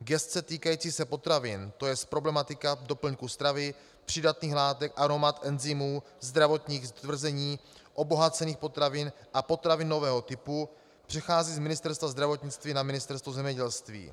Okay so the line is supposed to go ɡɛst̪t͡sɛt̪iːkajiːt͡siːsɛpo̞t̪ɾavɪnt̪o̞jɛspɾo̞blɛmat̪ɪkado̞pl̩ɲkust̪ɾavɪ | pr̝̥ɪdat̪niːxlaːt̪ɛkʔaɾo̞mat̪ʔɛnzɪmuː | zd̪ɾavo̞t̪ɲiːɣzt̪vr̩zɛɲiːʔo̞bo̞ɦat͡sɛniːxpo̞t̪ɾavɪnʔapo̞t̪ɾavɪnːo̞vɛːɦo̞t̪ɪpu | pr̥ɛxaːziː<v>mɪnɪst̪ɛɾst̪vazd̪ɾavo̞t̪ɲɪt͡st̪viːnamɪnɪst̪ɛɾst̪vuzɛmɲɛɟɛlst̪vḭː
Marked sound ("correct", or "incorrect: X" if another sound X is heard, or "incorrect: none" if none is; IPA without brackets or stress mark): incorrect: z